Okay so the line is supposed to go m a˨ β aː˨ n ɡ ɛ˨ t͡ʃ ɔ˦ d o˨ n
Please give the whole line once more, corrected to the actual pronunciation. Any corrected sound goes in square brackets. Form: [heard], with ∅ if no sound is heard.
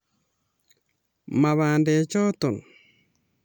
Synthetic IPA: m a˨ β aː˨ n [d] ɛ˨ t͡ʃ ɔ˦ [t] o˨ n